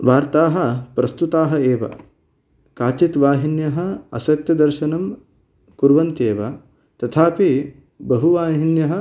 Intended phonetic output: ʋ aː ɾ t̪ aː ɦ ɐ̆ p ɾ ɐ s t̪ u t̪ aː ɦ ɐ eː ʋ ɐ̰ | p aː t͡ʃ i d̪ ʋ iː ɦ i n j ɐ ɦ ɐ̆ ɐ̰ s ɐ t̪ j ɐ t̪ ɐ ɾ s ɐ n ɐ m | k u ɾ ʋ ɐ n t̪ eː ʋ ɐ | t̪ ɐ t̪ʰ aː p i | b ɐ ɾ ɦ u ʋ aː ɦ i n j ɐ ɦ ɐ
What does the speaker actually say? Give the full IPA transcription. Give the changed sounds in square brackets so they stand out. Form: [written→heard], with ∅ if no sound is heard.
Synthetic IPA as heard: ʋ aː ɾ t̪ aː ɦ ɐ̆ p ɾ ɐ s t̪ u t̪ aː ɦ ɐ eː ʋ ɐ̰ | [p→k] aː t͡ʃ i [d̪→t̪] ʋ [iː→aː] ɦ i n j ɐ ɦ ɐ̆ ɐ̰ s ɐ t̪ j ɐ [t̪→d̪] ɐ ɾ [s→ʃ] ɐ n ɐ m | k u ɾ ʋ ɐ n t̪ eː ʋ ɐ | t̪ ɐ t̪ʰ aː p i | b ɐ [ɾ→∅] ɦ u ʋ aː ɦ i n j ɐ ɦ ɐ